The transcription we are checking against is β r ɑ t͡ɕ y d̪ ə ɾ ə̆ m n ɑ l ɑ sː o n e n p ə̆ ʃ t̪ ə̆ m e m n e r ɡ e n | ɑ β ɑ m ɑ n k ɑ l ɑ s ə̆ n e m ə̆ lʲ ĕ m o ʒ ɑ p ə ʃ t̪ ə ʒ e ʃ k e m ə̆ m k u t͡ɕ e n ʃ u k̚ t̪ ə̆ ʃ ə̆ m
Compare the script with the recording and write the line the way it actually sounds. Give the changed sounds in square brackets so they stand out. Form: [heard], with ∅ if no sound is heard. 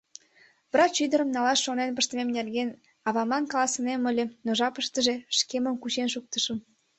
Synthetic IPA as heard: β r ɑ t͡ɕ y d̪ ə ɾ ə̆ m n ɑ l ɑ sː o n e n p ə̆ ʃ t̪ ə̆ m e m n e r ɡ e n | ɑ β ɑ m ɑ n k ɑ l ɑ s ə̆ n e m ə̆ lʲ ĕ [n] o ʒ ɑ p ə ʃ t̪ ə ʒ e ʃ k e m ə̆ m k u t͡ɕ e n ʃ u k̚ t̪ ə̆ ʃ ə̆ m